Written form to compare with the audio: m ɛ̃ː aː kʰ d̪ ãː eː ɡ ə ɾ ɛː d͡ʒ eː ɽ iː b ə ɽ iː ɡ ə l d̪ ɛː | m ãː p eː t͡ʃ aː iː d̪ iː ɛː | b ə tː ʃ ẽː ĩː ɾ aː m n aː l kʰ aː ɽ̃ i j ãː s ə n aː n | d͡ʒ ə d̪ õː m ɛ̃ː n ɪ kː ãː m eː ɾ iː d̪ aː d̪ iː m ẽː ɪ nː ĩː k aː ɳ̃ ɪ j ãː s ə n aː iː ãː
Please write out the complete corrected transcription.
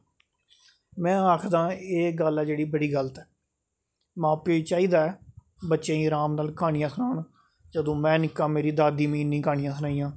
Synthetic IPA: m ɛ̃ː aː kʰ d̪ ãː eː ɡ ə l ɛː d͡ʒ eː ɽ iː b ə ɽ iː ɡ ə l t̪ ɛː | m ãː p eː t͡ʃ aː iː d̪ aː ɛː | b ə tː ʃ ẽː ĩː ɾ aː m n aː l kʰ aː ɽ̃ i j ãː s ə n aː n | d͡ʒ ə d̪ õː m ɛ̃ː n ɪ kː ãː m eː ɾ iː d̪ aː d̪ iː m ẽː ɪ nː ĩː k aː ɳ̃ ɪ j ãː s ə n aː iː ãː